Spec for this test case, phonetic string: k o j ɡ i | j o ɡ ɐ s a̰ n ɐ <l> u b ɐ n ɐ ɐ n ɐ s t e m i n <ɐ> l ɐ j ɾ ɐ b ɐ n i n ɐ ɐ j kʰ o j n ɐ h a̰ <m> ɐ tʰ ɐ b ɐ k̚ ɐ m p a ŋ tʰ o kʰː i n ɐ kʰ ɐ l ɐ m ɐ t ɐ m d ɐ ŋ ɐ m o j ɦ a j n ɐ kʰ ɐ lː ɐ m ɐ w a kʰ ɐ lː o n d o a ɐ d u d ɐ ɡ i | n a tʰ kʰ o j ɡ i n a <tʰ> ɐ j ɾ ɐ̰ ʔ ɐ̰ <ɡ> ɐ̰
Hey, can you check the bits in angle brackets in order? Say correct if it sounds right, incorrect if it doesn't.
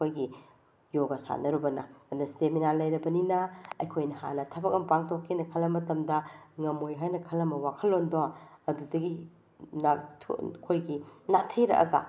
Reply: incorrect: ɾ, incorrect: a, incorrect: n, correct, correct

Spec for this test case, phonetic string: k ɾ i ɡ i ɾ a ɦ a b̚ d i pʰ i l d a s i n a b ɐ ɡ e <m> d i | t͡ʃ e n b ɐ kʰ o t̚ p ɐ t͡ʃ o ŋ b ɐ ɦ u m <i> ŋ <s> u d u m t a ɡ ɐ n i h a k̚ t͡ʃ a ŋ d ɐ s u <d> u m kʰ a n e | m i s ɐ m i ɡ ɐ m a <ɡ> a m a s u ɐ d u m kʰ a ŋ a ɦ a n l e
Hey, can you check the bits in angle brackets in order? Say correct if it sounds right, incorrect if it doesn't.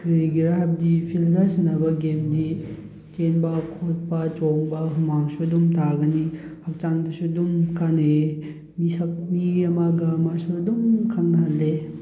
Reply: correct, incorrect: a, correct, correct, correct

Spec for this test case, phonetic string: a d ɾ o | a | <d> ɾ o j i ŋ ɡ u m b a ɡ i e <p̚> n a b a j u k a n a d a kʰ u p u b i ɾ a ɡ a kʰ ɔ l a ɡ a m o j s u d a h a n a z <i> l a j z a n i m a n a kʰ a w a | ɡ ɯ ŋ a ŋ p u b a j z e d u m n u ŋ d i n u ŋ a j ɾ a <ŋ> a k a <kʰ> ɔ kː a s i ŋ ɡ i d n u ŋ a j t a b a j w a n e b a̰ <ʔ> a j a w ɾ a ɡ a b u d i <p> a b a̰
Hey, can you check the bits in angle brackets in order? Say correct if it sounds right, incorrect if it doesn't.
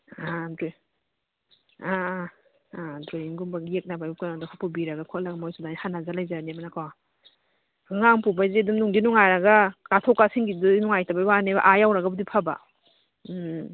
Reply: correct, incorrect: k̚, incorrect: a, incorrect: ɡ, incorrect: tʰ, correct, incorrect: pʰ

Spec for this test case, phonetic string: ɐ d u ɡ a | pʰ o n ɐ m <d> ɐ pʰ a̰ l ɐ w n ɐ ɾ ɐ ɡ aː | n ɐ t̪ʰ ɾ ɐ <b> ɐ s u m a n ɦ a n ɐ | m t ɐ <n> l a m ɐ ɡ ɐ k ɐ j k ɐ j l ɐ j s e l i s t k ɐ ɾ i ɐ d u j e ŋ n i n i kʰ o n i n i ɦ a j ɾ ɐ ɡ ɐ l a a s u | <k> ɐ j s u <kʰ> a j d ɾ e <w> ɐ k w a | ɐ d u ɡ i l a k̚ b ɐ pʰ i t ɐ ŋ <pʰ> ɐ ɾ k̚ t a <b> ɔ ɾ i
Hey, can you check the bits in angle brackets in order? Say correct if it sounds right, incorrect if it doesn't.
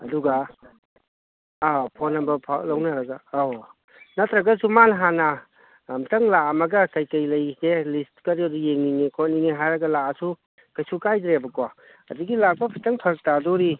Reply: incorrect: b, incorrect: ɡ, incorrect: ŋ, correct, incorrect: k, incorrect: b, correct, incorrect: d

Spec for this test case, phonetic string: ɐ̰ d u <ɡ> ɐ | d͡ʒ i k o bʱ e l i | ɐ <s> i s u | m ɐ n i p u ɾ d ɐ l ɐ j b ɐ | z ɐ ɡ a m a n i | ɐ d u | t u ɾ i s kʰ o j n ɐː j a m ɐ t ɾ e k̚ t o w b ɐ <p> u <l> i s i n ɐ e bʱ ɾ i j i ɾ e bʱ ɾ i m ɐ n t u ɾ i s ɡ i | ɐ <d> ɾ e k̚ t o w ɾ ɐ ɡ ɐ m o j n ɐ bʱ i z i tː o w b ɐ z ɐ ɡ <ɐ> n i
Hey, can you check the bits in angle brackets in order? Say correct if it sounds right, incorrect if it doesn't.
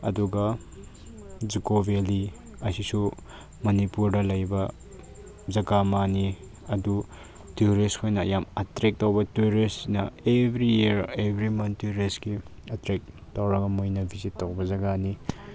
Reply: correct, correct, incorrect: t, incorrect: ɾ, incorrect: t, incorrect: a

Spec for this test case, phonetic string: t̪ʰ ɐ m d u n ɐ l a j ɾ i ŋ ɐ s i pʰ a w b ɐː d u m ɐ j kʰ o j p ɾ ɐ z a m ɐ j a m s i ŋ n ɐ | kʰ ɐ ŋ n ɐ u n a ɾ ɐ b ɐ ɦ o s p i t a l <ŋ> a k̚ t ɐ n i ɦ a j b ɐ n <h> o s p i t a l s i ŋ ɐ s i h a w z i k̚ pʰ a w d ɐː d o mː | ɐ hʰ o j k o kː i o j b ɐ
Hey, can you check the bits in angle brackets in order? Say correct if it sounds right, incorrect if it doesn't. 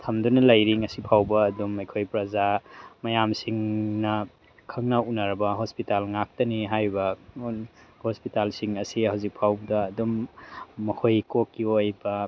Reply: correct, correct

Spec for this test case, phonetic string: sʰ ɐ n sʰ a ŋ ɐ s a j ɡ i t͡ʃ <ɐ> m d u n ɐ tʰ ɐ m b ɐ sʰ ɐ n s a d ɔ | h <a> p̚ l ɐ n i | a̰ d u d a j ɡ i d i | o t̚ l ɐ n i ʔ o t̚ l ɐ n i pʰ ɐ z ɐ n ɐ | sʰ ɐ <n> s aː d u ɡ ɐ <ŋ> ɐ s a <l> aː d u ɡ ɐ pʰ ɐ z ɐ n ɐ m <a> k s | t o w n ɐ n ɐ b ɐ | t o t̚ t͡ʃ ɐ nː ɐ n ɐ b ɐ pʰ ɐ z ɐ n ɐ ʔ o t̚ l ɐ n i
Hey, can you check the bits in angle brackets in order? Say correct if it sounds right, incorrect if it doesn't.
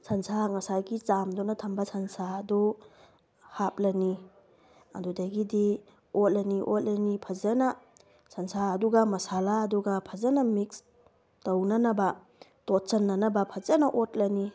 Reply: incorrect: a, correct, correct, incorrect: m, correct, incorrect: i

